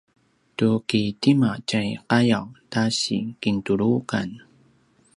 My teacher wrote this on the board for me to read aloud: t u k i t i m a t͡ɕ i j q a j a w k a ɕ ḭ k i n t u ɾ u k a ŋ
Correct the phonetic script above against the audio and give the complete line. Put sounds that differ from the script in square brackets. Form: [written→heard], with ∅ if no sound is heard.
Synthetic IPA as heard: t u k i t i m a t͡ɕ [i→a] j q a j a w [k→t] a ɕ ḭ k i n t u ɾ u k a [ŋ→n]